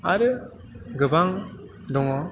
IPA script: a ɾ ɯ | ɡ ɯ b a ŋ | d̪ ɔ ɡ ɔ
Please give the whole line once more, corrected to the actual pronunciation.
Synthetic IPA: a ɾ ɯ | ɡ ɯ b a ŋ | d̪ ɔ ŋ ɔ